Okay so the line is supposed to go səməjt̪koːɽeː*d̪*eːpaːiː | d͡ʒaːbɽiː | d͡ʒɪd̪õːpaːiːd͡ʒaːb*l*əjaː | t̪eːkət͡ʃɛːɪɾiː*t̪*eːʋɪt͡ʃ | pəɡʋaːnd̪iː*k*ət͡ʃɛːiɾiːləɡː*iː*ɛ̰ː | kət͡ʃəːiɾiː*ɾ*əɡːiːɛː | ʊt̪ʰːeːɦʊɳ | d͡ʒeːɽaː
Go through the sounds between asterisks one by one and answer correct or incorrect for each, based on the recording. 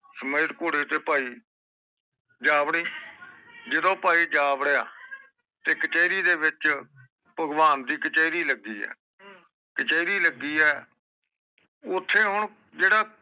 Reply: incorrect, incorrect, incorrect, correct, correct, incorrect

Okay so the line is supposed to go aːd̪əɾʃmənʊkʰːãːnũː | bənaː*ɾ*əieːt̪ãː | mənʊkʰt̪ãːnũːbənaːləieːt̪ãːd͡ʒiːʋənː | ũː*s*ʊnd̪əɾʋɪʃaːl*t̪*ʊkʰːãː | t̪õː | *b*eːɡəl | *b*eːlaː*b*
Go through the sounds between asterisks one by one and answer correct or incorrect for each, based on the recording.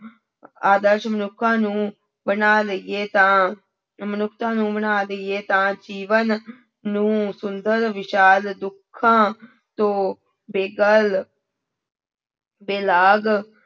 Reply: incorrect, correct, incorrect, correct, correct, incorrect

